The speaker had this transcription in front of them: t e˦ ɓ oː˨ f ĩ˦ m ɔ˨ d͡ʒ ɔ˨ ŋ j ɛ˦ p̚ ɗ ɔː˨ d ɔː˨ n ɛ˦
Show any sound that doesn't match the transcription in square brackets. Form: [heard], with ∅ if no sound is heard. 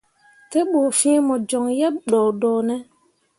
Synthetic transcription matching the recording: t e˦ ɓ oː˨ f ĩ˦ m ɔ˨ d͡ʒ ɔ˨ ŋ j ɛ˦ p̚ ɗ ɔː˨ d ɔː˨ n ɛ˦